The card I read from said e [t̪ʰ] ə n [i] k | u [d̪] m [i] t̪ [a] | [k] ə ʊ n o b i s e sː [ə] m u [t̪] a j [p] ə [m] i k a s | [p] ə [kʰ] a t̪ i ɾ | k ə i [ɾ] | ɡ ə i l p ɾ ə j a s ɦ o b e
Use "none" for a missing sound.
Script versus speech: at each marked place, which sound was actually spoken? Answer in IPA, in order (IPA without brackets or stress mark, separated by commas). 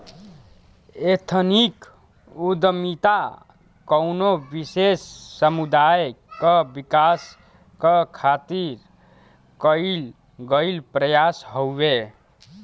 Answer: t̪ʰ, i, d̪, i, a, k, ə, d̪, k, b, k, kʰ, l